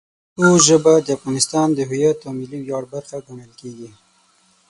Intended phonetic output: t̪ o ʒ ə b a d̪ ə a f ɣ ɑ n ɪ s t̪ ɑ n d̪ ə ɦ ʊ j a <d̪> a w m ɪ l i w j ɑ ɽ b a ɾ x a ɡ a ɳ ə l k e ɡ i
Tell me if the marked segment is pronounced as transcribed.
no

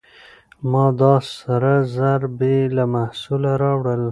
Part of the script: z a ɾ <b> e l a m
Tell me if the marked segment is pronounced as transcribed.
yes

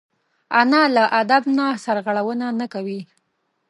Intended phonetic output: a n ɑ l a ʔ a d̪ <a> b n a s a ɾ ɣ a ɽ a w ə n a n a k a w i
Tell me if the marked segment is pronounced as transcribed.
yes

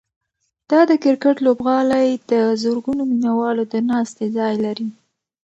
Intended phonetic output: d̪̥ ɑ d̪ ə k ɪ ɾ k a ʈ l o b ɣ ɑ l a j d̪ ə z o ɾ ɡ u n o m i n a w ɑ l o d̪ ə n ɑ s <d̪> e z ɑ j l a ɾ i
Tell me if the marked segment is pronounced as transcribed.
no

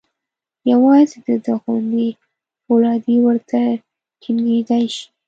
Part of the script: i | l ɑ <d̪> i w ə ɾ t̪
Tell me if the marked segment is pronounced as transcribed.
yes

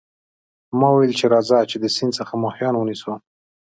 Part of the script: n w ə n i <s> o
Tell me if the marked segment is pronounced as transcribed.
yes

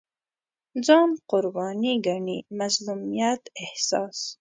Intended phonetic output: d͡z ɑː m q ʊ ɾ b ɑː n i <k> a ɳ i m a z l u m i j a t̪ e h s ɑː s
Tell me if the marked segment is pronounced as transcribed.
no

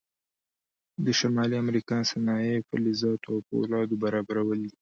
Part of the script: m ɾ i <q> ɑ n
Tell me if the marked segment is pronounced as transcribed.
no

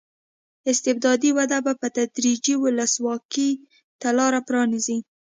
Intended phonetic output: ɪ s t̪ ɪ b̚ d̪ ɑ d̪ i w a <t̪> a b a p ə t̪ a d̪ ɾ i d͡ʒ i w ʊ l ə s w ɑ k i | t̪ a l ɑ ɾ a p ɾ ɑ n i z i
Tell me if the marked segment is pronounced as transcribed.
no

